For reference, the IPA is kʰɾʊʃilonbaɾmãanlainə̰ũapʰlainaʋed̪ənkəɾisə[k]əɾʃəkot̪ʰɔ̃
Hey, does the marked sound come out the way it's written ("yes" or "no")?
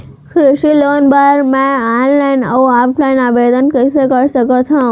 yes